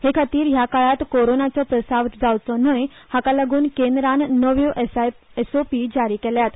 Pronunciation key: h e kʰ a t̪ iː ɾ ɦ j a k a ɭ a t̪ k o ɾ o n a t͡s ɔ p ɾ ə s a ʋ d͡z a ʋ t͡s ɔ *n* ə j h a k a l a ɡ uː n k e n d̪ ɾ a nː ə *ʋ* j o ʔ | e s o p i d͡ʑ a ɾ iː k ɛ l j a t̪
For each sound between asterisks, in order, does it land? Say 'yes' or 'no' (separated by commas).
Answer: yes, yes